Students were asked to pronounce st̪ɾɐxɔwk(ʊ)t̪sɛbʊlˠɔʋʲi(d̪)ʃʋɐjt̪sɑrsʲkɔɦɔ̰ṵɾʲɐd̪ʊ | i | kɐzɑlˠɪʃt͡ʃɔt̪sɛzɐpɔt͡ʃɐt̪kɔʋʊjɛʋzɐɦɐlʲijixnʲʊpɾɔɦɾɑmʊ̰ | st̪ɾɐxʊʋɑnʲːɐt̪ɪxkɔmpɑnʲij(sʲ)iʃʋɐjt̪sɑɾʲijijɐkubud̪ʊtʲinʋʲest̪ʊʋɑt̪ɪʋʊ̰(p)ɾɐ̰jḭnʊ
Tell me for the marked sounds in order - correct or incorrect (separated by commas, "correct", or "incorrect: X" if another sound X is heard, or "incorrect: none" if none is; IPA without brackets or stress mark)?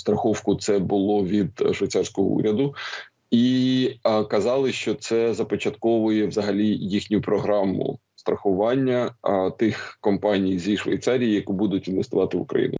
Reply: correct, correct, incorrect: zʲ, incorrect: k